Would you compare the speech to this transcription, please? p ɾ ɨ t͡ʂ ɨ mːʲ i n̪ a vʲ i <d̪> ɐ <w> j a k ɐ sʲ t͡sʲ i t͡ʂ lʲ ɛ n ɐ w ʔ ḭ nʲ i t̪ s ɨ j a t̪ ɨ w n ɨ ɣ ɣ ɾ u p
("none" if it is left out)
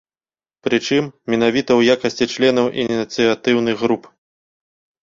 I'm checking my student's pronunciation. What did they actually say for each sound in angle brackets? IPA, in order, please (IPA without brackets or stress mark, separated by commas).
t̪, w